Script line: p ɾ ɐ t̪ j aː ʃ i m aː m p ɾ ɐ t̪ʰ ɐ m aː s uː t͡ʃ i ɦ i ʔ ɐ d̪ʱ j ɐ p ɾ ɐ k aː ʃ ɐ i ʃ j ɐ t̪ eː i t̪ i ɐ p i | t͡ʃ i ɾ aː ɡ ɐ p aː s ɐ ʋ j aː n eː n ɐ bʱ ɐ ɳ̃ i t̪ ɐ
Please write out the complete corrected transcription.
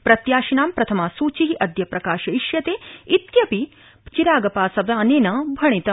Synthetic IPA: p ɾ ɐ t̪ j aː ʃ i n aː m p ɾ ɐ t̪ʰ ɐ m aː s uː t͡ʃ i ɦ i ʔ ɐ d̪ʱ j ɐ p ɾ ɐ k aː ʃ ɐ i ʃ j ɐ t̪ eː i t̪ j ɐ p i | t͡ʃ i ɾ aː ɡ ɐ p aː s ɐ ʋ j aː n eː n ɐ bʱ ɐ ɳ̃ i t̪ ɐ